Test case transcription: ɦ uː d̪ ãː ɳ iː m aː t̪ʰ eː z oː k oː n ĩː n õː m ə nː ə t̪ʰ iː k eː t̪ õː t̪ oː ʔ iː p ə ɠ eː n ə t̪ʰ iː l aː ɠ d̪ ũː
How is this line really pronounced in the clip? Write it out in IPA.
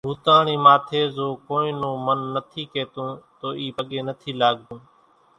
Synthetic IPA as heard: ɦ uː t̪ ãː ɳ iː m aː t̪ʰ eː z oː k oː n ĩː n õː m ə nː ə t̪ʰ iː k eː t̪ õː t̪ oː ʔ iː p ə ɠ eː n ə t̪ʰ iː l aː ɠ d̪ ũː